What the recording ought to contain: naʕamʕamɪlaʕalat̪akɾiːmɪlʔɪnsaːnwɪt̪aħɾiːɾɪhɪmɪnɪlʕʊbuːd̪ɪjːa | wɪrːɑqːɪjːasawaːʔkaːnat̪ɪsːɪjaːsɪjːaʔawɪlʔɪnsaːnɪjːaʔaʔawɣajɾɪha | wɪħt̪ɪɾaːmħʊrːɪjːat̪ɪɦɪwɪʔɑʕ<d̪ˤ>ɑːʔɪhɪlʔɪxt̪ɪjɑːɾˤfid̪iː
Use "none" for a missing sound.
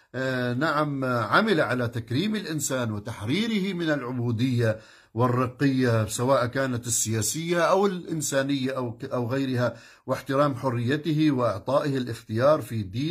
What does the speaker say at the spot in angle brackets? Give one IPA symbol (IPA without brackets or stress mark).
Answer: t̪ˤ